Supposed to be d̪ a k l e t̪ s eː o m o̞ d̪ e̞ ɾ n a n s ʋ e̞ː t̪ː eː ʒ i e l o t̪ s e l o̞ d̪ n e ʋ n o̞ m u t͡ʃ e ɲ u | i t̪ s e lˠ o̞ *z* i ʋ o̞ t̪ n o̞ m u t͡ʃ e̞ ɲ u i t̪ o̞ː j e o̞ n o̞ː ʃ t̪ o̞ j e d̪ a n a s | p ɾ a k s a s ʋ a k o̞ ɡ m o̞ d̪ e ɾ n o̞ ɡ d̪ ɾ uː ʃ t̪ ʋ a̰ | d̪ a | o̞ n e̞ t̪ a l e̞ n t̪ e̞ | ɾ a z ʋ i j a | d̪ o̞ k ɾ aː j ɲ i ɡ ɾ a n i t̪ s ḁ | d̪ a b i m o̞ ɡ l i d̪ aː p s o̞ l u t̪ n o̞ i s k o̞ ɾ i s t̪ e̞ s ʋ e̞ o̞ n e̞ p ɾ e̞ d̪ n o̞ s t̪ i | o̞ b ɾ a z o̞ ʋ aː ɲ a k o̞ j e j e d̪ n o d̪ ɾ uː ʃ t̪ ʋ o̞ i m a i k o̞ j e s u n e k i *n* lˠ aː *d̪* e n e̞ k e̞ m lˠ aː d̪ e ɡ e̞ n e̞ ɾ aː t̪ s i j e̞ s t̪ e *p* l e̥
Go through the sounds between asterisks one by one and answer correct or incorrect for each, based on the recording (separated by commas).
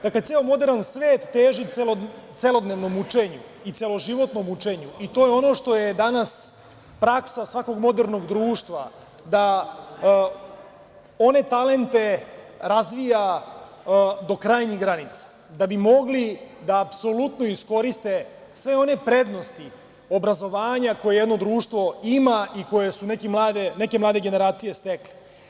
incorrect, incorrect, correct, incorrect